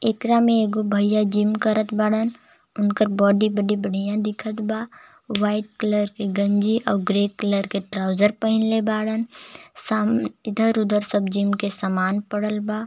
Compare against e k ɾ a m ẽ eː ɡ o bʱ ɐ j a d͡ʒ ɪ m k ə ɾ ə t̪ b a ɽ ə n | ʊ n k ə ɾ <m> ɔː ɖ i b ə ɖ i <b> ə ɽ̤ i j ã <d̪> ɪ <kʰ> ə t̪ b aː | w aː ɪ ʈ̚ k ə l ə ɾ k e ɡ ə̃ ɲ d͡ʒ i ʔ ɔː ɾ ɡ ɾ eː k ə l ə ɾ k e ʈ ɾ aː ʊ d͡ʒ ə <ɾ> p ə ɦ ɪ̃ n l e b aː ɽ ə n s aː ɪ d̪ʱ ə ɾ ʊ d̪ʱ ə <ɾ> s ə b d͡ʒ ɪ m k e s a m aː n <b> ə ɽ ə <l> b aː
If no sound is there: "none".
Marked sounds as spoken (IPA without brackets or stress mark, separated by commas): b, b, d̪, kʰ, ɾ, ɾ, p, l